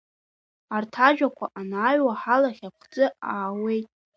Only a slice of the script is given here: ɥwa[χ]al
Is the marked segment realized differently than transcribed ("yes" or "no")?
yes